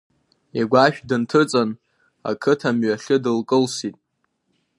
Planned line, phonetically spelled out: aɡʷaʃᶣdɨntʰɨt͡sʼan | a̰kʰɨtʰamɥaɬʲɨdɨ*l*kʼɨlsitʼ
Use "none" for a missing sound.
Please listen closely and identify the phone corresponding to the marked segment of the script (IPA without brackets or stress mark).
l